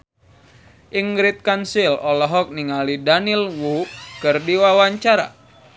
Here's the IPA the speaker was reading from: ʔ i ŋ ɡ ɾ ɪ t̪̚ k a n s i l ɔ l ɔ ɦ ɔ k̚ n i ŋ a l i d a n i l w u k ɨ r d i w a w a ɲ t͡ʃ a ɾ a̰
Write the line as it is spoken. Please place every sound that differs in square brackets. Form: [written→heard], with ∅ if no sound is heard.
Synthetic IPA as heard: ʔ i ŋ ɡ ɾ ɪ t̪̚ k a n s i l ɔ l ɔ ɦ ɔ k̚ n i ŋ a l i d a n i l w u k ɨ r d i w a w a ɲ t͡ʃ a ɾ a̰